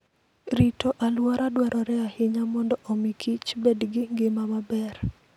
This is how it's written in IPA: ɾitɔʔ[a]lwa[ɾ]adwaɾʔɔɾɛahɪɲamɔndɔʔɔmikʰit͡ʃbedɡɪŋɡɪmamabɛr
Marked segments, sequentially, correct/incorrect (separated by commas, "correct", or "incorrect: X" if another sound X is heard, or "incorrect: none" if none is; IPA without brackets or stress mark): correct, correct